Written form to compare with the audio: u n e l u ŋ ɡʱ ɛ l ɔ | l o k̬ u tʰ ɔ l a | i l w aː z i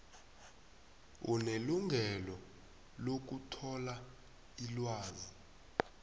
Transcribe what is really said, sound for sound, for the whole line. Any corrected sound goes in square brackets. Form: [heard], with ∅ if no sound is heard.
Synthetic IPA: u n e l u ŋ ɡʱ ɛ l ɔ | l o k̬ u tʰ ɔ l a | i l w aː z i